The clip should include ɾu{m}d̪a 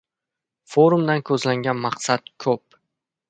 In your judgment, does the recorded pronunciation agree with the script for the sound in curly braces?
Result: yes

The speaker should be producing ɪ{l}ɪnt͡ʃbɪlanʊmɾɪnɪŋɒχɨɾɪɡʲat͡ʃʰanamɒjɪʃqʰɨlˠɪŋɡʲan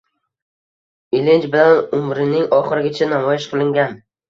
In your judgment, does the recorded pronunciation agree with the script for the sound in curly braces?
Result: yes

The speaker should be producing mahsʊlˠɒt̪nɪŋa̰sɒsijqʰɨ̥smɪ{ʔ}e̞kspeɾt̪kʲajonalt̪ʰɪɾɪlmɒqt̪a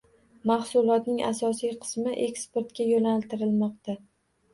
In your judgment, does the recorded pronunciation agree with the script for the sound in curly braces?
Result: yes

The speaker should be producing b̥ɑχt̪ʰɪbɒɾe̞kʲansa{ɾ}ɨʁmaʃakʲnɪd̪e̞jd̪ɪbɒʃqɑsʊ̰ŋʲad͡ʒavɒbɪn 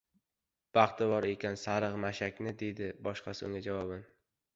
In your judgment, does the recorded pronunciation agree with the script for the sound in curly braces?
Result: yes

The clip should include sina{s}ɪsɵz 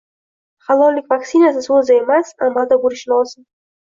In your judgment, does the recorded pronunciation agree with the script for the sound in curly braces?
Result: yes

